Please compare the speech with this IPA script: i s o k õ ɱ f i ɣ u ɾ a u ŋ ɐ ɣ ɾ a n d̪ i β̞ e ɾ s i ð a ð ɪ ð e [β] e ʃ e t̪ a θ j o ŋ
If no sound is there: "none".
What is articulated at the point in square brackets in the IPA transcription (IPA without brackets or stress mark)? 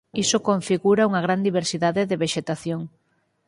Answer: β